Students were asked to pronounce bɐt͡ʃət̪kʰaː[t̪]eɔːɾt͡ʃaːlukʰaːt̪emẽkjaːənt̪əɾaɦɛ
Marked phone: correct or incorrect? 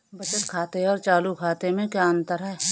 correct